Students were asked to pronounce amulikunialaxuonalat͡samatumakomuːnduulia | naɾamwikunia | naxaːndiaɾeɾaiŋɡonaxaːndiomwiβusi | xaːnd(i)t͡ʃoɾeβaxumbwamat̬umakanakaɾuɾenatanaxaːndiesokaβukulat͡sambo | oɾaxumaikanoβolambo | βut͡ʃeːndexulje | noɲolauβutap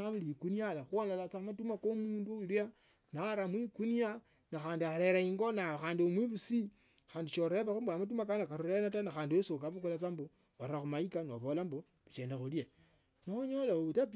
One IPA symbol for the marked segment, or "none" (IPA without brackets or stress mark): i